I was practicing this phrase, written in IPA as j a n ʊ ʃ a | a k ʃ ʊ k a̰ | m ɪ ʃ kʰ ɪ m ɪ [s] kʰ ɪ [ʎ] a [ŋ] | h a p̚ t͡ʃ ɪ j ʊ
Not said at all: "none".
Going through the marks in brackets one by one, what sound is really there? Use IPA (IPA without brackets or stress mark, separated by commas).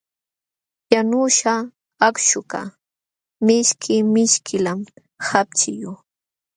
ʃ, l, m